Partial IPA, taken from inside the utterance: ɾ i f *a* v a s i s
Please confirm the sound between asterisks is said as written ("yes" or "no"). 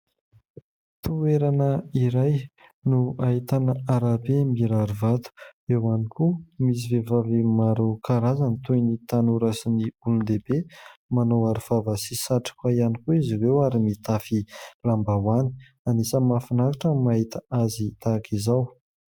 yes